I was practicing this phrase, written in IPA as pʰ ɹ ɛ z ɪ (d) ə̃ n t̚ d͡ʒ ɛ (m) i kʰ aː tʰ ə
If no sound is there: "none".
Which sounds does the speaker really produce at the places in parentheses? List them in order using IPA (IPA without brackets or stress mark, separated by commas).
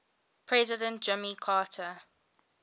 d, m